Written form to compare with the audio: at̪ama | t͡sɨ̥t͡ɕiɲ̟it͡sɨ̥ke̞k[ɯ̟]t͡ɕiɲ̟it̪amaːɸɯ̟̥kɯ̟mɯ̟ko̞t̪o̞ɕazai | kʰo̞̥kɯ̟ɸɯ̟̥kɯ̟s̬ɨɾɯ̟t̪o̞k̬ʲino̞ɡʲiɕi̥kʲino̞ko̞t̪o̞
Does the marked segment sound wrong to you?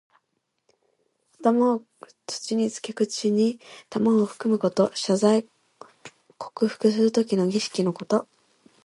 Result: no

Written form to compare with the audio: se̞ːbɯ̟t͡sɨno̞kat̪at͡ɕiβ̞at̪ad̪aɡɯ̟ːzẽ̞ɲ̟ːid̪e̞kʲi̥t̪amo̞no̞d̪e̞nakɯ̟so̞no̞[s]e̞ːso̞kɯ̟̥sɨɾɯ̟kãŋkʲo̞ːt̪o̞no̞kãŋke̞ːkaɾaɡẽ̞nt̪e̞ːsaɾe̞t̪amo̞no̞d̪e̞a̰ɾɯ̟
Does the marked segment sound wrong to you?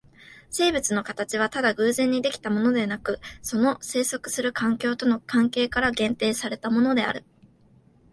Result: no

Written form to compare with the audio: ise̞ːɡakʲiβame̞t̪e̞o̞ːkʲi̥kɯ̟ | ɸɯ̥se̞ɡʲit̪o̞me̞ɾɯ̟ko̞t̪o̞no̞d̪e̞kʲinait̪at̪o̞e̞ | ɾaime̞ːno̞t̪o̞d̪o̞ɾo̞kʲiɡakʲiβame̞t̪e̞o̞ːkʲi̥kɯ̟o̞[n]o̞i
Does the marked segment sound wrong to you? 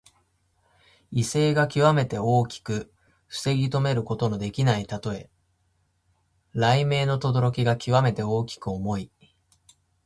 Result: yes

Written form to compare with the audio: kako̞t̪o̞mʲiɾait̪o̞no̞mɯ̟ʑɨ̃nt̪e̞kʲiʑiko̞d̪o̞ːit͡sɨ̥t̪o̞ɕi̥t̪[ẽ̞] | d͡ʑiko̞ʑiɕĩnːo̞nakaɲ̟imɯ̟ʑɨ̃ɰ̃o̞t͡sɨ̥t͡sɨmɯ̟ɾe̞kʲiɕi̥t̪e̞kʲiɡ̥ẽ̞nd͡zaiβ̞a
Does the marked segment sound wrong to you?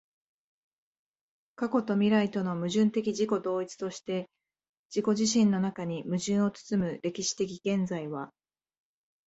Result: yes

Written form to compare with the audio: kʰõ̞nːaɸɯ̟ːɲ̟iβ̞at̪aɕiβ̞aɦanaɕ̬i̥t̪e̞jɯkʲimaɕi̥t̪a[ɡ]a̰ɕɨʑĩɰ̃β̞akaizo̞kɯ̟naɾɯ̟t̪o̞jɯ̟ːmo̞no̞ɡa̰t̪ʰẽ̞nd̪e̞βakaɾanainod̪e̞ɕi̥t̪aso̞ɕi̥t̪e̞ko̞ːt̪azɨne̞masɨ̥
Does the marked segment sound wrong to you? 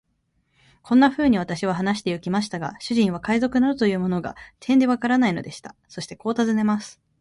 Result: no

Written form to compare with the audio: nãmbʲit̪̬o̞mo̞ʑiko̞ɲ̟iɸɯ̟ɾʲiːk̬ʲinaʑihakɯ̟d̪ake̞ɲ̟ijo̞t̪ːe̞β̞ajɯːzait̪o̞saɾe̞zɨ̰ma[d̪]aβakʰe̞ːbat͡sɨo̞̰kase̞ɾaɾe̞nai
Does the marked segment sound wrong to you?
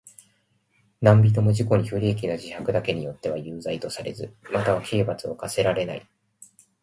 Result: yes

